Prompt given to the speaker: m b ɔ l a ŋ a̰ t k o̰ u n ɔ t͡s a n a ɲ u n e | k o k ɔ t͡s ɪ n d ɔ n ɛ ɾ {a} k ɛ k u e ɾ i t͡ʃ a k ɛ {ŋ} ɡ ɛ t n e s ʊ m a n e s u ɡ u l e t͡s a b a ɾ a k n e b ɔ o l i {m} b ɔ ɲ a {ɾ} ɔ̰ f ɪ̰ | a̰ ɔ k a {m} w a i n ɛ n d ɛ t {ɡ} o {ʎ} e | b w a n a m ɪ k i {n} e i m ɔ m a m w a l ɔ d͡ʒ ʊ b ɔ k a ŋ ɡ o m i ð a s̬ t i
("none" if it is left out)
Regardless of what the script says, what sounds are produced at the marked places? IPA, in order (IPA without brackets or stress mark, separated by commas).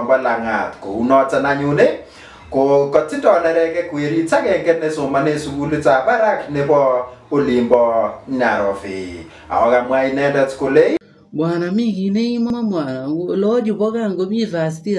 ɛ, ŋ, m, ɾ, m, k, l, n